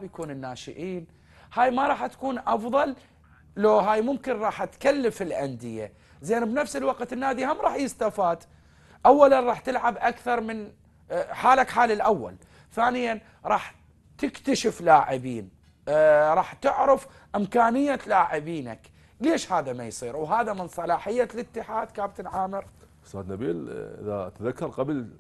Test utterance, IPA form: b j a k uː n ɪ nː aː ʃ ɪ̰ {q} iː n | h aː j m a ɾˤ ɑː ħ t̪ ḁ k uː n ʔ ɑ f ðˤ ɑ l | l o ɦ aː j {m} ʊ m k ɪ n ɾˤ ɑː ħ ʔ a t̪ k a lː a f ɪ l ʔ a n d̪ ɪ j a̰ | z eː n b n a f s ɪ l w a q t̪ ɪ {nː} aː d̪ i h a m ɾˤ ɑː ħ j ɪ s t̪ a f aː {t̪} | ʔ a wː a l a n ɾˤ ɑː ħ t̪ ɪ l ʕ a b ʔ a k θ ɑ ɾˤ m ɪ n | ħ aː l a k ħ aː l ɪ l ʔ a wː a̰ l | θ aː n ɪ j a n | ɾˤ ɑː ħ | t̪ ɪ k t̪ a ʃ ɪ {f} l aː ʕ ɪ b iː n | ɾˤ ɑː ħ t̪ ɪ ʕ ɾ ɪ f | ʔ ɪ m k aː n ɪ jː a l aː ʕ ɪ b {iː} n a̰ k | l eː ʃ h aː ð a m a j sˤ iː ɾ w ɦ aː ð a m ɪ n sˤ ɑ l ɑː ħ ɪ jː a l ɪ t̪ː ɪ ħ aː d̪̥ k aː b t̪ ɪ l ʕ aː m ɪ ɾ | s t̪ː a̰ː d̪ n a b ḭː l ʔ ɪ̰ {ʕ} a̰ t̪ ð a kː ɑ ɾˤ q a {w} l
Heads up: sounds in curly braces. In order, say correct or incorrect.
incorrect: ʔ, correct, correct, incorrect: d̪, correct, correct, incorrect: ð, incorrect: b

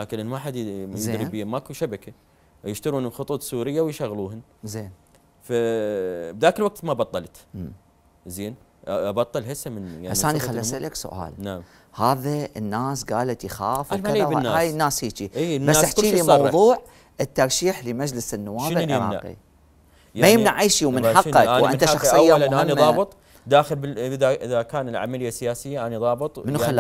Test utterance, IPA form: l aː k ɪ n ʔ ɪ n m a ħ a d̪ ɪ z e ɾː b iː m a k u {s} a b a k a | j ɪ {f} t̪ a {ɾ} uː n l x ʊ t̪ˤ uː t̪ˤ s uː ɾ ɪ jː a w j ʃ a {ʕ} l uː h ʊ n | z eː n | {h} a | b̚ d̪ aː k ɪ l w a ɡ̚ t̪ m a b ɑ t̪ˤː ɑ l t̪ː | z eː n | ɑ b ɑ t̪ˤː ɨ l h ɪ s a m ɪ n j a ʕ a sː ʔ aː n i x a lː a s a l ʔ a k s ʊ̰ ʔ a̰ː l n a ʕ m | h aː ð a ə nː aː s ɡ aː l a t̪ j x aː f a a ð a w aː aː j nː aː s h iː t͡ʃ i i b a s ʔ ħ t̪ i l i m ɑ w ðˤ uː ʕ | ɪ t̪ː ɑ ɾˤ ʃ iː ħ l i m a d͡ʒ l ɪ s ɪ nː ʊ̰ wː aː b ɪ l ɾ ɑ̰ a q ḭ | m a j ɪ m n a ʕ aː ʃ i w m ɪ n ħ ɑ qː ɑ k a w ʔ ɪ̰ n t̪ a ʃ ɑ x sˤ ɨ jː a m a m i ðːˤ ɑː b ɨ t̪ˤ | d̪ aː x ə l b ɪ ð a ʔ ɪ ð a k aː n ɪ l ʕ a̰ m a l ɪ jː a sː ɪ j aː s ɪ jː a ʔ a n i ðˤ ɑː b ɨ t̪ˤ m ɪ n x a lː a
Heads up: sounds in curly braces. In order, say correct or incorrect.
incorrect: ʃ, incorrect: ʃ, correct, incorrect: ɣ, incorrect: f

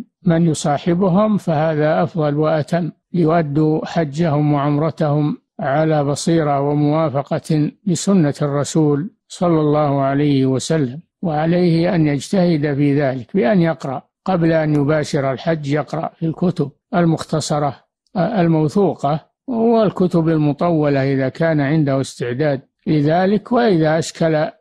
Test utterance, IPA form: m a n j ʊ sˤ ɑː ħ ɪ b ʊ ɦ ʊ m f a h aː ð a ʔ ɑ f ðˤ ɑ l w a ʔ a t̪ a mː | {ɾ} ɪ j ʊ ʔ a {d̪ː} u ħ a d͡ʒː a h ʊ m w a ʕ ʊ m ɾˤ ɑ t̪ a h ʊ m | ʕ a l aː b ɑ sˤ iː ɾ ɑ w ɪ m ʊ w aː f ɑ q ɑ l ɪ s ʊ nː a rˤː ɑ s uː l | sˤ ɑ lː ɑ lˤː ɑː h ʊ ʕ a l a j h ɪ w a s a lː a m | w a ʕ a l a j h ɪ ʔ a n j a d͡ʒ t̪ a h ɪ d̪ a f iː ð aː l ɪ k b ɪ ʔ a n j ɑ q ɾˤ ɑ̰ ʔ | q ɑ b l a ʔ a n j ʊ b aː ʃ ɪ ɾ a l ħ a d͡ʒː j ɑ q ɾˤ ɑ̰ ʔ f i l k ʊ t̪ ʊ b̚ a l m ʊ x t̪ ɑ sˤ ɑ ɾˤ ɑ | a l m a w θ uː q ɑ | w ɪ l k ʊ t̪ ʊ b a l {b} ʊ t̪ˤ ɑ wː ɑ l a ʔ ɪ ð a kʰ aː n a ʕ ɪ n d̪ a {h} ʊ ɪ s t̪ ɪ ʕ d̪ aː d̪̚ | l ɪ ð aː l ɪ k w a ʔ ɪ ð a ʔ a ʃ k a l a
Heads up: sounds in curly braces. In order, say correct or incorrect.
incorrect: l, correct, incorrect: m, correct

